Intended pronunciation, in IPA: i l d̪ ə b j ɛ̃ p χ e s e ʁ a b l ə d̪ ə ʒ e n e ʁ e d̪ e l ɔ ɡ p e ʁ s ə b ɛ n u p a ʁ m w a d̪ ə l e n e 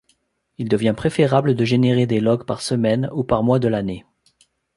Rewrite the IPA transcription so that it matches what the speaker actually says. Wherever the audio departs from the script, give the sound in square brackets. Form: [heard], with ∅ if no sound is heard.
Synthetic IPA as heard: i l d̪ ə [v] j ɛ̃ p χ e [f] e ʁ a b l ə d̪ ə ʒ e n e ʁ e d̪ e l ɔ ɡ p [a] ʁ s ə [m] ɛ n u p a ʁ m w a d̪ ə l [a] n e